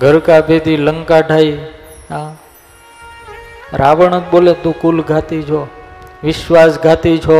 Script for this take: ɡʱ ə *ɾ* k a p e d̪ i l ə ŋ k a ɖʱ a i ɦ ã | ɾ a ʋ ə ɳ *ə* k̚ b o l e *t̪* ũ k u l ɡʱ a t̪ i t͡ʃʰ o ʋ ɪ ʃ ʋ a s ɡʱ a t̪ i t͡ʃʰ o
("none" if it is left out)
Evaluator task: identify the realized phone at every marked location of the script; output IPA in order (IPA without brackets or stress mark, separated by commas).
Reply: ɾ, ə, t̪